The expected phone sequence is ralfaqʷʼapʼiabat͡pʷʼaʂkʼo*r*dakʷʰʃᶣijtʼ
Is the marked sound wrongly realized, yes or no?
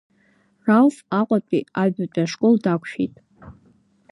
yes